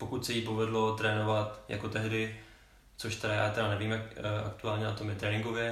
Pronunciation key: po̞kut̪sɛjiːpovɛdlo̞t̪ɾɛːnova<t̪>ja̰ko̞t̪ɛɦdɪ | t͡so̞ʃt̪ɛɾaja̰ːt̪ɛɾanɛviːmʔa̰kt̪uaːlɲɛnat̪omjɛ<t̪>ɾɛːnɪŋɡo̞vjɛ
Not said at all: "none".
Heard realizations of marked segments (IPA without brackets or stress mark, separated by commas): t̪, t̪